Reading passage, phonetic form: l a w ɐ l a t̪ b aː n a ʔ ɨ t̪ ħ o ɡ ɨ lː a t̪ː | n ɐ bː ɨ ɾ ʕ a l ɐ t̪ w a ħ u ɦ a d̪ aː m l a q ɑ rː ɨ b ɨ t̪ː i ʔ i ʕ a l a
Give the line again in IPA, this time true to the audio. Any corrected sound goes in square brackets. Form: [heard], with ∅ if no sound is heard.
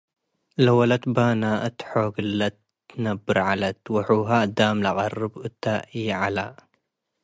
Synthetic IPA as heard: l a w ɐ l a t̪ b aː n a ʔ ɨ t̪ ħ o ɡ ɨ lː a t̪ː | n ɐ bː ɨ ɾ ʕ a l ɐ t̪ w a ħ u ɦ a d̪ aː m l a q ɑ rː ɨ b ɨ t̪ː [a] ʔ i ʕ a l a

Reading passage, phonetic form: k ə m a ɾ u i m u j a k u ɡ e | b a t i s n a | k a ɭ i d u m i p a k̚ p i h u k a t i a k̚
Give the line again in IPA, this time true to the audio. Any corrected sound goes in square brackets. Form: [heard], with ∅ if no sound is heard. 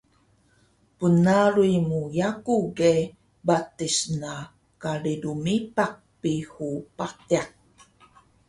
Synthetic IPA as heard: [p] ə [n] a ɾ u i m u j a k u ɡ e | b a t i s n a | k a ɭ i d u m i p a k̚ p i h u [p] a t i a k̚

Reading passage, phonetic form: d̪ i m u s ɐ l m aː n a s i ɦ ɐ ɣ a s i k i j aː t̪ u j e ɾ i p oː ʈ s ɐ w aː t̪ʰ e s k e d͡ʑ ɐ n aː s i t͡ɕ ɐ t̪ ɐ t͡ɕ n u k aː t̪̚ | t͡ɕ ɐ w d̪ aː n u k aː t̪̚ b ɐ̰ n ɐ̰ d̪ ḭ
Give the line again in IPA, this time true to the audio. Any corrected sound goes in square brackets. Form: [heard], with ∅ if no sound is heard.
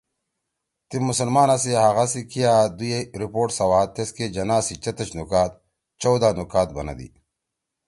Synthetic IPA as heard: [t̪] i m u s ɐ l m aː n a s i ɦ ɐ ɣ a s i k i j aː [d̪] u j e ɾ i p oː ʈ s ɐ w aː [t̪] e s k e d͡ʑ ɐ n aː s i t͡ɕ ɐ t̪ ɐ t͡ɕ n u k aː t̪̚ | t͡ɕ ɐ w d̪ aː n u k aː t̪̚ b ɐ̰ n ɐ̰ d̪ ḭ

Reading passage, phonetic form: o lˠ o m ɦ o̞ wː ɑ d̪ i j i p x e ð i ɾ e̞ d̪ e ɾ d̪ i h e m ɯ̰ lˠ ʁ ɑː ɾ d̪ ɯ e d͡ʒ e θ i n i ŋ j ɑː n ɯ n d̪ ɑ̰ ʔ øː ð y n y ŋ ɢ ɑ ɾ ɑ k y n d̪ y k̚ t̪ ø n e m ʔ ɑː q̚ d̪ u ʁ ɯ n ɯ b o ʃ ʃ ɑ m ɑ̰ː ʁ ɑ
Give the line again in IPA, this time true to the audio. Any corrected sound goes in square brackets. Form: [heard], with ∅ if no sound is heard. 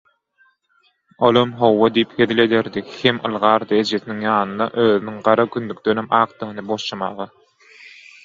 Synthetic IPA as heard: o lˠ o m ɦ o̞ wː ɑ d̪ i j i p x e ð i [l] e̞ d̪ e ɾ d̪ i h e m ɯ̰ lˠ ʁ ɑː ɾ d̪ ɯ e d͡ʒ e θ i n i ŋ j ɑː n ɯ n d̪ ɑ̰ ʔ øː ð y n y ŋ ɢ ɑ ɾ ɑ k y n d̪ y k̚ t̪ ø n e m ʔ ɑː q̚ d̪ [ɯ] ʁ ɯ n ɯ b o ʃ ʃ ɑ m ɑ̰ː ʁ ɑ

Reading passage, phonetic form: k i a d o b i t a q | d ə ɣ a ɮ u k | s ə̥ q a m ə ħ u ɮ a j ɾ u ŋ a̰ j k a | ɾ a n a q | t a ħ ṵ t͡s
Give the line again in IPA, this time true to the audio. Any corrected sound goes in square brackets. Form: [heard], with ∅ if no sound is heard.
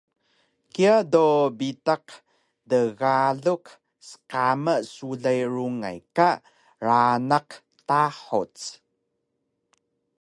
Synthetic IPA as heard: k i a d o b i t a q | d ə ɣ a ɮ u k | s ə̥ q a m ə [s] u ɮ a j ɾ u ŋ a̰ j k a | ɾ a n a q | t a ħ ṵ t͡s

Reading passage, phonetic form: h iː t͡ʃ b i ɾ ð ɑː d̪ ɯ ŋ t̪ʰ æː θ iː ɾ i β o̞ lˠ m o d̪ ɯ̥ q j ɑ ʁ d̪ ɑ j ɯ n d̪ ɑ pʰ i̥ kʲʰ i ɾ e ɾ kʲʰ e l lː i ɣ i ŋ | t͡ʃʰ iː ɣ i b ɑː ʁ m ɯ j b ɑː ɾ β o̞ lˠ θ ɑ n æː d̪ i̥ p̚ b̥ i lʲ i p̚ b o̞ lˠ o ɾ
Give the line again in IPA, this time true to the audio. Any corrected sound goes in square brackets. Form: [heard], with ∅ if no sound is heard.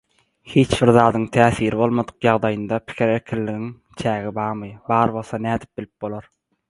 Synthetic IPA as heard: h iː t͡ʃ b i ɾ ð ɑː d̪ ɯ ŋ t̪ʰ æː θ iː ɾ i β o̞ lˠ m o d̪ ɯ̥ q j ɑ ʁ d̪ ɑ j ɯ n d̪ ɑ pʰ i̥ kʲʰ i ɾ e ɾ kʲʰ [i] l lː i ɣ i ŋ | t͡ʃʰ [æː] ɣ i b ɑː ʁ m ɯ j b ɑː ɾ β o̞ lˠ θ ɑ n æː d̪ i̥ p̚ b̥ i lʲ i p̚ b o̞ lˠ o ɾ

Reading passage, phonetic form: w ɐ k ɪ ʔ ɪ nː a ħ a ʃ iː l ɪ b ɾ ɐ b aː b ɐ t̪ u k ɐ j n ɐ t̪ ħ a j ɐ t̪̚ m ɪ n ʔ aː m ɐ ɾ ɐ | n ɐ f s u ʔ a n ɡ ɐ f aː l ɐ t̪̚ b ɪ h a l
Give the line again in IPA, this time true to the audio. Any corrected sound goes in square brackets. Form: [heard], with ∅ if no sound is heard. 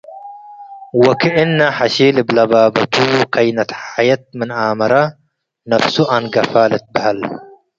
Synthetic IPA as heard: w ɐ k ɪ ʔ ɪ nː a ħ a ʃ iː l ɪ b [l] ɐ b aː b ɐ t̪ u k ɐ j n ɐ t̪ ħ a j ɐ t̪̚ m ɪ n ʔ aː m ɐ ɾ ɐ | n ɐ f s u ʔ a n ɡ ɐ f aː l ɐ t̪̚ b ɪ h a l

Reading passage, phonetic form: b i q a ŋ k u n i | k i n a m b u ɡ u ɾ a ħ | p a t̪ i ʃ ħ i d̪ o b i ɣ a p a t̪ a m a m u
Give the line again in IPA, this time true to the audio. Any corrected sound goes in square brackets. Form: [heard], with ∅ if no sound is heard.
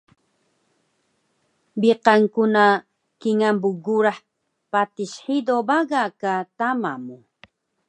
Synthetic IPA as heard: b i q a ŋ k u n [a] | k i [ŋ] a m b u ɡ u ɾ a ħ | p a t̪ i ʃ ħ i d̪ o b [a] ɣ a [k] a t̪ a m a m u

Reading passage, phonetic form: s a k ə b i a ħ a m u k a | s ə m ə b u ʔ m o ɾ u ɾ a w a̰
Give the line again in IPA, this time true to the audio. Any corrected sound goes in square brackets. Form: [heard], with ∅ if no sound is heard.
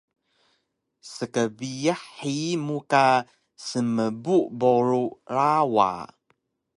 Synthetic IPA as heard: s [ə] k ə b i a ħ [i] m u k a | s ə m ə b u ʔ [b] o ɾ u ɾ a w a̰

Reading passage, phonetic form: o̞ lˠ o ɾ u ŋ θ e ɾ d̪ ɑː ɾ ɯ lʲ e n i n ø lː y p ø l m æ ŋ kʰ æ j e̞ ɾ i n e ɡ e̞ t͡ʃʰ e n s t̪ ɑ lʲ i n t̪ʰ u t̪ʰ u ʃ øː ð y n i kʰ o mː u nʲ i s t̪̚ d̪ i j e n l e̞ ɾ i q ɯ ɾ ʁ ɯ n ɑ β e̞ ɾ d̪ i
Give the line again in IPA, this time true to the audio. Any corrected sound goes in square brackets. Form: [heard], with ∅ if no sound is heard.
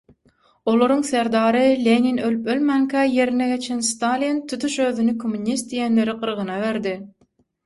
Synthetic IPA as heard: o̞ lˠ o ɾ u ŋ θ e ɾ d̪ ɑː ɾ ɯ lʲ e n i n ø [l] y p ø l m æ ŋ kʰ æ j e̞ ɾ i n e ɡ e̞ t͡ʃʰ e n s t̪ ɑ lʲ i n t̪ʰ u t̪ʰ u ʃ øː ð y n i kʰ o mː u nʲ i s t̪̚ d̪ i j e n l e̞ ɾ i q ɯ ɾ ʁ ɯ n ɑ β e̞ ɾ d̪ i

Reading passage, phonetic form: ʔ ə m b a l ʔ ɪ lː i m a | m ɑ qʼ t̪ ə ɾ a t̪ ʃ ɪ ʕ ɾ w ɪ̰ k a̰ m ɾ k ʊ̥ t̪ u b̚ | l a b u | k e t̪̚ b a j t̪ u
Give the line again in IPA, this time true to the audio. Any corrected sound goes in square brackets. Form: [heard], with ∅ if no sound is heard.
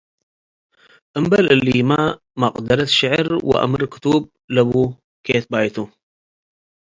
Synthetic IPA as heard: ʔ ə m b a l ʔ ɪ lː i m a | m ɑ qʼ [d̪] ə ɾ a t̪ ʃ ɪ ʕ ɾ w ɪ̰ [ʔ] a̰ m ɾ k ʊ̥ t̪ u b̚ | l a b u | k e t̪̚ b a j t̪ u

